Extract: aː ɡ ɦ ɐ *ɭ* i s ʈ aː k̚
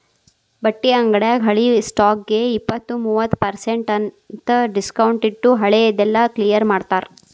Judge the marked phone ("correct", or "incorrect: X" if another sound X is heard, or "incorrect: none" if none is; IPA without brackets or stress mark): correct